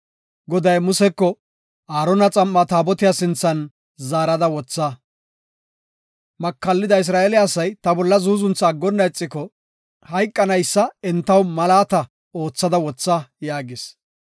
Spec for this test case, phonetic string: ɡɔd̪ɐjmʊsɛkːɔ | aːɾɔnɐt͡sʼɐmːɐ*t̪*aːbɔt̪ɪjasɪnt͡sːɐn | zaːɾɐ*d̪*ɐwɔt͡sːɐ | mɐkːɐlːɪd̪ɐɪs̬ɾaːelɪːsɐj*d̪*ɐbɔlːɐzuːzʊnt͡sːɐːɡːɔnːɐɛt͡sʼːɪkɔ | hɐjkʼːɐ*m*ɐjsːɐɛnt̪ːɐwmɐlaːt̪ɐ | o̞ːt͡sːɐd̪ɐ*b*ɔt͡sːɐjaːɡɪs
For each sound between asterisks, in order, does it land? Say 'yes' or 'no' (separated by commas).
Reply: yes, yes, no, no, no